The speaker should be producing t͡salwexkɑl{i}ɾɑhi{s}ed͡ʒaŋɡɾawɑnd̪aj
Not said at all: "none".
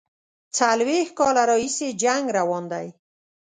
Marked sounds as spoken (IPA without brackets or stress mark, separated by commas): a, s